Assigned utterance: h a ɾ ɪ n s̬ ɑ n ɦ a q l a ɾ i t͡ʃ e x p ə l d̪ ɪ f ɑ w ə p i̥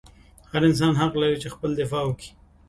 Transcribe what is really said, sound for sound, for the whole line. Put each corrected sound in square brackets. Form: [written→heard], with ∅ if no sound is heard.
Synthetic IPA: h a ɾ ɪ n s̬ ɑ n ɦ a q l a ɾ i t͡ʃ e x p ə l d̪ ɪ f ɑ w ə [p→k] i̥

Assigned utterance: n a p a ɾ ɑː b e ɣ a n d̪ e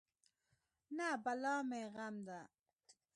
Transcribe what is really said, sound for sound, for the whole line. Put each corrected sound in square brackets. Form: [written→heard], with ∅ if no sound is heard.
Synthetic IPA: n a [p→b] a [ɾ→l] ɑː [b→m] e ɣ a [n→m] d̪ [e→a]

